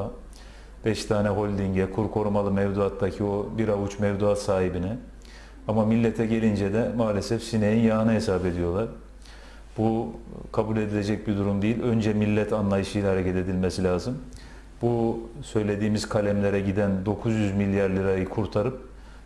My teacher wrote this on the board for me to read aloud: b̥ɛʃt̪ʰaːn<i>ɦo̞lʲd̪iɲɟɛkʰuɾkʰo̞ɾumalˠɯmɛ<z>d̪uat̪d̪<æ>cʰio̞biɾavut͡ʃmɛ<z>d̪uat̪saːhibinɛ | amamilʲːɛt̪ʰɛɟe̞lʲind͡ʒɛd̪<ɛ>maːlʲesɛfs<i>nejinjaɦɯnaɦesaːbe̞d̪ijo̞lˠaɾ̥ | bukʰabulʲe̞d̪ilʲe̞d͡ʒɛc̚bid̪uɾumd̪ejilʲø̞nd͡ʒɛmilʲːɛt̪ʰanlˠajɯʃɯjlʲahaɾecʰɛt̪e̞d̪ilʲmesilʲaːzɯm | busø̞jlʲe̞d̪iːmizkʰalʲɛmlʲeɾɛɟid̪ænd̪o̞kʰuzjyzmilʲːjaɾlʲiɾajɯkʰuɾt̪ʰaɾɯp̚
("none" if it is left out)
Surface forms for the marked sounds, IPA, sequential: ɛ, v, a, v, ɛ, i

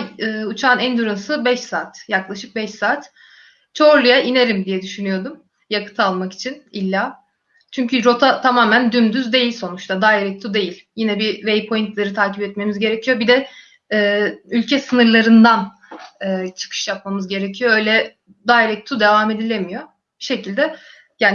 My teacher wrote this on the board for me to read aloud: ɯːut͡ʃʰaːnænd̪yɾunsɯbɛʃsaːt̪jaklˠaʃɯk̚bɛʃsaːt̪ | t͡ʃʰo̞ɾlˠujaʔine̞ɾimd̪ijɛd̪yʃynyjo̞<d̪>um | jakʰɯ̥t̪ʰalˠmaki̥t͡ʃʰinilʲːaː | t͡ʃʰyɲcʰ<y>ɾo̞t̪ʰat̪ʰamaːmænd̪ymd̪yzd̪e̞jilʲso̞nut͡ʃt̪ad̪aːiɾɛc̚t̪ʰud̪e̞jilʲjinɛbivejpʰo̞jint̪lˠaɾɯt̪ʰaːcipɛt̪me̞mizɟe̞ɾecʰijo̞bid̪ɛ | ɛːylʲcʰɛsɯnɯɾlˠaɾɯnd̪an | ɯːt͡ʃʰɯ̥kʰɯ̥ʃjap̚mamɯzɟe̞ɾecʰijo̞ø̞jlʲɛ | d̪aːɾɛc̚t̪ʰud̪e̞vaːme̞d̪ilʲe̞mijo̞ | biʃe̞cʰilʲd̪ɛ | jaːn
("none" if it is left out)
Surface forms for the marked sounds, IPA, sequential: d̪, y

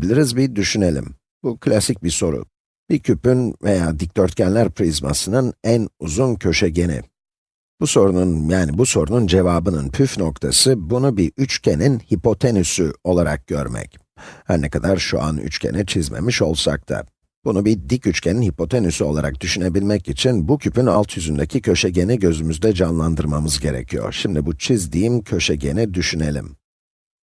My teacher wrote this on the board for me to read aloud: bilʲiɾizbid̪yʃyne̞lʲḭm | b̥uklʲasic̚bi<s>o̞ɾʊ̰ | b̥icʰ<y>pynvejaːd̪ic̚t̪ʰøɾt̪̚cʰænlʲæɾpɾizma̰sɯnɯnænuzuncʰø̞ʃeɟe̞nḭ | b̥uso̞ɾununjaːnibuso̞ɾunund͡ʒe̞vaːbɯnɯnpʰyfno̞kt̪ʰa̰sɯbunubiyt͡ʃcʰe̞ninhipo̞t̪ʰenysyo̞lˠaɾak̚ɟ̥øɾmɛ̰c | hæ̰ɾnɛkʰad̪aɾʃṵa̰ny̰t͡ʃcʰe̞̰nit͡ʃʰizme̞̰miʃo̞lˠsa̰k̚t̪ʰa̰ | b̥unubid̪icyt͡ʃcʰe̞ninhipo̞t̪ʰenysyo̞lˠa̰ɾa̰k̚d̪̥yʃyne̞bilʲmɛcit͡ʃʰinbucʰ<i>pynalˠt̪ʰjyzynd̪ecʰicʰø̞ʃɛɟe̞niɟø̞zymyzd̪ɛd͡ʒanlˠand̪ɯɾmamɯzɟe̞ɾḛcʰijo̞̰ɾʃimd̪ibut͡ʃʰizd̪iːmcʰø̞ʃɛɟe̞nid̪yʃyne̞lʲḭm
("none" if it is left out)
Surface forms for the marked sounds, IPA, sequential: s, y, y

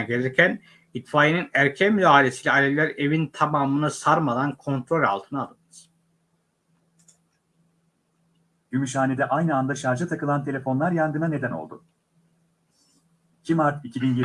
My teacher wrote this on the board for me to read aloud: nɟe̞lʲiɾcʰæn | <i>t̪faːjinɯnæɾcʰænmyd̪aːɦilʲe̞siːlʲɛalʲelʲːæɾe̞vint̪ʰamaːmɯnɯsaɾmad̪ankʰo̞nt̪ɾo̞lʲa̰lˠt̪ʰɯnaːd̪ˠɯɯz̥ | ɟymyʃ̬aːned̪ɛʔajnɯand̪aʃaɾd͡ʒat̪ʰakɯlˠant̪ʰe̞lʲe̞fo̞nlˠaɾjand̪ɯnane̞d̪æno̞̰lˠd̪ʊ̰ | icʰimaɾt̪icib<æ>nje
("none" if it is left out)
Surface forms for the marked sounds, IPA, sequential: i, i

